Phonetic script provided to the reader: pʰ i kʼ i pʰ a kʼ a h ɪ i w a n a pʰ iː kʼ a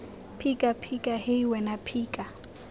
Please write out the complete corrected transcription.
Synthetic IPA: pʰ i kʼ a pʰ i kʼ a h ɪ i w ɛ n a pʰ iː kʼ a